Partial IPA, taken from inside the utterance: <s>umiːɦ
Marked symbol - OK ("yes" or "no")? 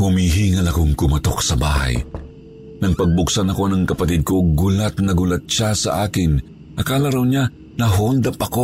no